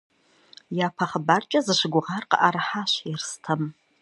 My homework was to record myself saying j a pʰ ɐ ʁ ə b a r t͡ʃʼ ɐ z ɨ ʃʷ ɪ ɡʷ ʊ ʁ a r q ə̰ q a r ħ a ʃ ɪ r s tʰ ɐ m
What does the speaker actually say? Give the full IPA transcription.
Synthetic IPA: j a pʰ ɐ χ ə b a r t͡ʃʼ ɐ z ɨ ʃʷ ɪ ɡʷ ʊ ʁ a r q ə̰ ʔ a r ħ a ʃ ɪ r s tʰ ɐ m